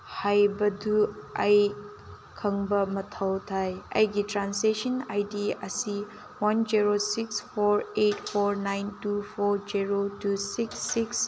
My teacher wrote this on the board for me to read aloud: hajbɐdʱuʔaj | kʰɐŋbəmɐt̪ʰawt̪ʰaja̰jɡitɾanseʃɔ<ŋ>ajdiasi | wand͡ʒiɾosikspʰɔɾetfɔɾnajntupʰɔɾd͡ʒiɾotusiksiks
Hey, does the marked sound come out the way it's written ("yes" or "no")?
no